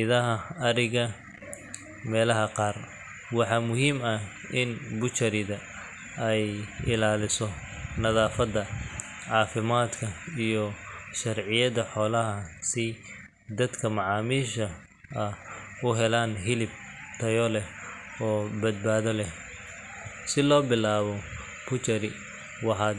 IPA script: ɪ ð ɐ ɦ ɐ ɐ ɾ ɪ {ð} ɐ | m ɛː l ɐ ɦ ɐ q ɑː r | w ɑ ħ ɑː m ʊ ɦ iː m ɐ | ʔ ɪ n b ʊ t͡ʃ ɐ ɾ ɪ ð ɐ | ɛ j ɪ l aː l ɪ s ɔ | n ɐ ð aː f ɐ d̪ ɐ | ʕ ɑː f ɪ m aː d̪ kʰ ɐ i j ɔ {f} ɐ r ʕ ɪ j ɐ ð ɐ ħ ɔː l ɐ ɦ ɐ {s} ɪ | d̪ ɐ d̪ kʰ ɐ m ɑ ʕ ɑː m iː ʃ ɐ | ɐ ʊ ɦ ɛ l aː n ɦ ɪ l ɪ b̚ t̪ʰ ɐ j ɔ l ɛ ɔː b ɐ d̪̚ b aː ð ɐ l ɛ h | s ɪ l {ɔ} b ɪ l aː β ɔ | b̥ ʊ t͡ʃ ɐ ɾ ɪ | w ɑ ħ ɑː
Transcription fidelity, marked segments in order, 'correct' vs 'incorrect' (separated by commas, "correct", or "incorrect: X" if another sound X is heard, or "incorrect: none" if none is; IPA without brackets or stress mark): incorrect: ɣ, incorrect: ʃ, correct, incorrect: ɔː